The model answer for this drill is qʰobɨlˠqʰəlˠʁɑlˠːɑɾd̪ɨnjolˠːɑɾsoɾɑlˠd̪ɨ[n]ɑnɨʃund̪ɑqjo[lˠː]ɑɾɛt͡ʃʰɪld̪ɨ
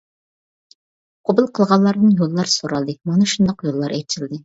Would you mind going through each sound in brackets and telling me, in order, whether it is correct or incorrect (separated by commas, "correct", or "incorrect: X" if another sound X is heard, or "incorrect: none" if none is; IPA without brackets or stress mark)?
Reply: incorrect: m, correct